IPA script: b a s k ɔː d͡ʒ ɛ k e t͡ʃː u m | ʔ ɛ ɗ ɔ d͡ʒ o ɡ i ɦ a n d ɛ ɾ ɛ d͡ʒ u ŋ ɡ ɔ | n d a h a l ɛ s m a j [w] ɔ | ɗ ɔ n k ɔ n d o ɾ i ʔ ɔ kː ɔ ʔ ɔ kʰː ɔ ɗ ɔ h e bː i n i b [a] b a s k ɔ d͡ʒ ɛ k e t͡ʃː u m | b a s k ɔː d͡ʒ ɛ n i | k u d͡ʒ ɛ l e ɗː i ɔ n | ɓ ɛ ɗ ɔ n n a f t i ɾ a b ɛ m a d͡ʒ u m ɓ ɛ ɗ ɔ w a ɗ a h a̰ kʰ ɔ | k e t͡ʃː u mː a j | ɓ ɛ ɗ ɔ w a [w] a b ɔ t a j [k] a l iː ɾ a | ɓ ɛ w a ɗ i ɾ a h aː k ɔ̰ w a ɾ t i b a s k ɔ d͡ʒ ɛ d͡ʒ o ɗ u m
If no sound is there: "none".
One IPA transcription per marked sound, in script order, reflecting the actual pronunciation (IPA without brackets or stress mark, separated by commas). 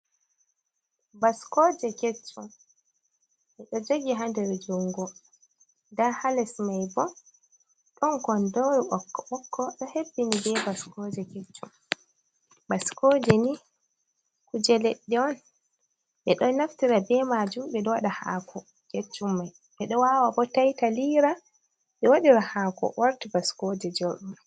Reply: b, ɛ, w, t